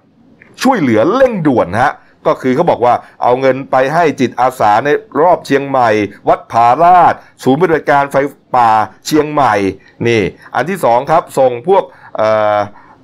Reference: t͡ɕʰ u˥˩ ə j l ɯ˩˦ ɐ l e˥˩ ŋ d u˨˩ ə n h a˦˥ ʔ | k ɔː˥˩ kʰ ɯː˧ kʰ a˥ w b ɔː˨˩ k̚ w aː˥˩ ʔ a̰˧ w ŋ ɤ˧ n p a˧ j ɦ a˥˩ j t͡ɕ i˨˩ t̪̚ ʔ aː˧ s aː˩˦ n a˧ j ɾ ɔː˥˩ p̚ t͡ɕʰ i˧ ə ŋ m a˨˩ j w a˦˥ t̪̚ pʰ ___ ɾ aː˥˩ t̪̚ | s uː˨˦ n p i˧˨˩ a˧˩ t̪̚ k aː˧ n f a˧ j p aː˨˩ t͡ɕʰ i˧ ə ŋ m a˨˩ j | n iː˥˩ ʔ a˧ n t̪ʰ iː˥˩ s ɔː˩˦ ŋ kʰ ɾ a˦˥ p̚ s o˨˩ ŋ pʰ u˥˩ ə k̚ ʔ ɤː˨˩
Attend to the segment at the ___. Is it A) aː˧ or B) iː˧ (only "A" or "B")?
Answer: A